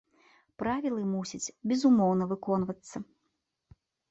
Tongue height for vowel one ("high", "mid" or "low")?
low